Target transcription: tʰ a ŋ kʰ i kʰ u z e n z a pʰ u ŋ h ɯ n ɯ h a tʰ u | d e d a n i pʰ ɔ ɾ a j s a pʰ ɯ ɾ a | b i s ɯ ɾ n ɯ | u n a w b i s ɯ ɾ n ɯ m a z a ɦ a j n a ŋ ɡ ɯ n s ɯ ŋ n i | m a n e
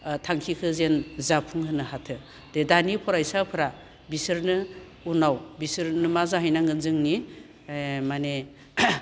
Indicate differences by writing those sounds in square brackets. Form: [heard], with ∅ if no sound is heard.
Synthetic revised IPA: tʰ a ŋ kʰ i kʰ [ɯ] z e n z a pʰ u ŋ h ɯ n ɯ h a tʰ [ɯ] | d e d a n i pʰ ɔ ɾ a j s a pʰ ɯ ɾ a | b i s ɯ ɾ n ɯ | u n a w b i s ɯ ɾ n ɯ m a z a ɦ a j n a ŋ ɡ ɯ n [z] ɯ ŋ n i | m a n e